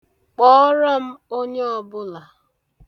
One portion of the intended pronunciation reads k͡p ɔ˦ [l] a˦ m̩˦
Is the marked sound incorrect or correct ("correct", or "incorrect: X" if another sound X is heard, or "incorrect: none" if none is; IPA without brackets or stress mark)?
incorrect: ɾ